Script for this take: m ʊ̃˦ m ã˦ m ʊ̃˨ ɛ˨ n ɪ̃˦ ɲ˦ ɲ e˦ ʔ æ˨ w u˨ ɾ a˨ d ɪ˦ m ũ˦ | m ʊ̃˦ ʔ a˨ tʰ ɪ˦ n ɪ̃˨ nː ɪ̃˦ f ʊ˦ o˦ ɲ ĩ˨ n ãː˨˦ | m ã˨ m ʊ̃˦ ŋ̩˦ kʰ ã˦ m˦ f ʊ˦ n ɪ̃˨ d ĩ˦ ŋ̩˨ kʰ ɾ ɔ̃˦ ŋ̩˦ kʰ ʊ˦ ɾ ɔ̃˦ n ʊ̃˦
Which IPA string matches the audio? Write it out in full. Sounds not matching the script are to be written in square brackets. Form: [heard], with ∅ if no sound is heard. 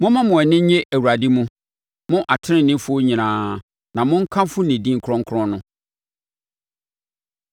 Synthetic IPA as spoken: m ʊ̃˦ m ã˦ m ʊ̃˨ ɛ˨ n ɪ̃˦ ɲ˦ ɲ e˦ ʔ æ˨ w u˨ ɾ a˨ d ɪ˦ m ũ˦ | m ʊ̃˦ ʔ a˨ tʰ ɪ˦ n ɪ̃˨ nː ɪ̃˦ f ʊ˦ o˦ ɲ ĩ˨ n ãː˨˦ | [n] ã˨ m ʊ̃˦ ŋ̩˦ kʰ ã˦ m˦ f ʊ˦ n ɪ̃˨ d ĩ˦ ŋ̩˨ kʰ ɾ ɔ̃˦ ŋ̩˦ kʰ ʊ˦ ɾ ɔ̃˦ n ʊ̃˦

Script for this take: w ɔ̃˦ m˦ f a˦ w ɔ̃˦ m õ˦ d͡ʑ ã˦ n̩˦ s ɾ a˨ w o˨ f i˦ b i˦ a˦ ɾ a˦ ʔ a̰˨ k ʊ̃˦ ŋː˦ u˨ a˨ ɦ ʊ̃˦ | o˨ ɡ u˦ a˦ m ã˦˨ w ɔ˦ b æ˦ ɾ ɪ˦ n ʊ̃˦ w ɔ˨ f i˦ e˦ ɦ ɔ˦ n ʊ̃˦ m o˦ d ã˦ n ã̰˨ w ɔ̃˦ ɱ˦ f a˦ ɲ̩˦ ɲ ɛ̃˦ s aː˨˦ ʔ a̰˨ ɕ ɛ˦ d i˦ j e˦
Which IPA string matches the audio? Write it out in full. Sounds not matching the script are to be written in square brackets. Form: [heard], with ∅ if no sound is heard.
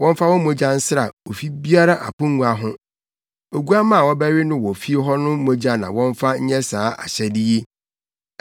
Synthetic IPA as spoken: w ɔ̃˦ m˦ f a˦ w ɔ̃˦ m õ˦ d͡ʑ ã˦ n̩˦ s ɾ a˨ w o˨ f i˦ b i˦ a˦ ɾ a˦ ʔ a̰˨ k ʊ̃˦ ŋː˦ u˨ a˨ ɦ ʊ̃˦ | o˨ ɡ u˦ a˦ m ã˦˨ w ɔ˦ b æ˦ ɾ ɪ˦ n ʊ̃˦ w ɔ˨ f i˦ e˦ ɦ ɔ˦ n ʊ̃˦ m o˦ [d͡ʑ] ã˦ n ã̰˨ w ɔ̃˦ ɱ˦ f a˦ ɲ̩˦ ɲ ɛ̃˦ s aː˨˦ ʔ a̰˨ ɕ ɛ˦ d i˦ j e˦

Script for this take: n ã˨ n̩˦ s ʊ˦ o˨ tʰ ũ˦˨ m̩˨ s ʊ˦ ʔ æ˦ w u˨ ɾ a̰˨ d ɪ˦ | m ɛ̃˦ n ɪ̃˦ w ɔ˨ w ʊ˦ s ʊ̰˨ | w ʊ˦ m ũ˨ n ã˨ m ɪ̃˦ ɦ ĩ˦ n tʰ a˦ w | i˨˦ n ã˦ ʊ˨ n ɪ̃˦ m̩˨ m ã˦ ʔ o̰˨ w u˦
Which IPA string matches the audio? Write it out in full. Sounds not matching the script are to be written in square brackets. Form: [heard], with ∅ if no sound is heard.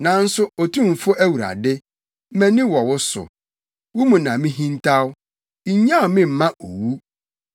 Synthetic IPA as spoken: n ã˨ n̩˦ s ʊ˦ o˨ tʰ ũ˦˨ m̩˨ [f] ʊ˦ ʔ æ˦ w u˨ ɾ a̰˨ d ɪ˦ | m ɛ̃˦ n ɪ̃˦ w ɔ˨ w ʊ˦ s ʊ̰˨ | w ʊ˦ m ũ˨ n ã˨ m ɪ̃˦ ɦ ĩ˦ n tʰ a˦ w | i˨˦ [ɲ] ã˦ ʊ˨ [m] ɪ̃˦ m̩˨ m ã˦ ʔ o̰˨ w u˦

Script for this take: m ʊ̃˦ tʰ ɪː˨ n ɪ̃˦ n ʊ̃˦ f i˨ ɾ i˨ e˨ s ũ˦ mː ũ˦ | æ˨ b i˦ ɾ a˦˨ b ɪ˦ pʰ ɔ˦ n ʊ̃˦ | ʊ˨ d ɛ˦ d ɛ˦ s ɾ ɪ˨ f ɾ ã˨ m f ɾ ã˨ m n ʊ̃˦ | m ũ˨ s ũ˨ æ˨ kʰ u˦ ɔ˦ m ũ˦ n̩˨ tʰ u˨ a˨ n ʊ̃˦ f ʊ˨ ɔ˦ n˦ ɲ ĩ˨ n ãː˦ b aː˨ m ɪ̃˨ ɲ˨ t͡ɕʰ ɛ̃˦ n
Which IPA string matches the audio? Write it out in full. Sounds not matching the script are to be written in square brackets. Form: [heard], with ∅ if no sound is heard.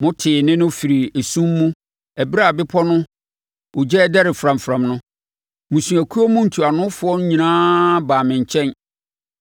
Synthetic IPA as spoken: m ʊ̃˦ tʰ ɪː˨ n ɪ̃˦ n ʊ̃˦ f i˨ ɾ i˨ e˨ s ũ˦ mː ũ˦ | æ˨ b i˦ ɾ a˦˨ b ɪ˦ pʰ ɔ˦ n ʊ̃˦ | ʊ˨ [d͡ʑ] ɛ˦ d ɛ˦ [∅] ɾ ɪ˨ f ɾ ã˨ m f ɾ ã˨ m n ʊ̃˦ | m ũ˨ s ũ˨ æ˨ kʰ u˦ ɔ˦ m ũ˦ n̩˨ tʰ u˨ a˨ n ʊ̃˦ f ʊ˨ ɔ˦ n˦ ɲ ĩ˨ n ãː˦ b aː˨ m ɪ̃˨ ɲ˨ t͡ɕʰ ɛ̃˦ n

